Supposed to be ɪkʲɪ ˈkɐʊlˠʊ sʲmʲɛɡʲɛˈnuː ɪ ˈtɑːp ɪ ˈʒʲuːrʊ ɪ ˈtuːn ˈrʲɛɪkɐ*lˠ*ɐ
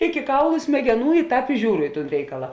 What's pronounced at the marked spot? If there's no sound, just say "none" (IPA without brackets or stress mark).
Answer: lˠ